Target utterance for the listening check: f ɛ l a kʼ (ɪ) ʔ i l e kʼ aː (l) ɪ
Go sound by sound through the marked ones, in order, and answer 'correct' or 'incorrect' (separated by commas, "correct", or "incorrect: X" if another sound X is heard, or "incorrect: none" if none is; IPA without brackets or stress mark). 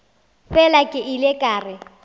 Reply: correct, incorrect: r